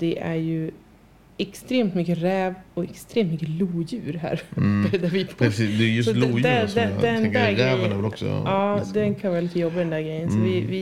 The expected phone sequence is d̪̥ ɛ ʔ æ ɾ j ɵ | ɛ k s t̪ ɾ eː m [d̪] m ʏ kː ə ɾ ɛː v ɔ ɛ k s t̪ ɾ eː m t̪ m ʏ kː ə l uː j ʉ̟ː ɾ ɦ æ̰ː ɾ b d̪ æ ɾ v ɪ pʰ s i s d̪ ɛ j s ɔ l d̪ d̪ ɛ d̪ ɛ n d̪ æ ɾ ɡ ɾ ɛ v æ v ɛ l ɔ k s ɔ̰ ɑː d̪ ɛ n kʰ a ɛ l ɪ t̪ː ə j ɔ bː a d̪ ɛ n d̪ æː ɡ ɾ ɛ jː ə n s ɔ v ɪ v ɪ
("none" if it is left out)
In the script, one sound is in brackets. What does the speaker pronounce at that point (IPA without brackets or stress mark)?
t̪